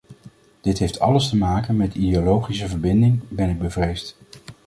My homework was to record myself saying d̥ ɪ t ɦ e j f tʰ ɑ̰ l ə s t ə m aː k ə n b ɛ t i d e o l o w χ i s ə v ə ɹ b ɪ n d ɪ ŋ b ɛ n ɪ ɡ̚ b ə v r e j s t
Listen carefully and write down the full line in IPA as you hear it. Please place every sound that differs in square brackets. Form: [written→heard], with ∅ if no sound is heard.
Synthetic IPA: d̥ ɪ t ɦ e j f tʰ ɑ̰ l ə s t ə m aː k ə n [b→m] ɛ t i d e o l o w χ i s ə v ə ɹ b ɪ n d ɪ ŋ b ɛ n ɪ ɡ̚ b ə v r e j s t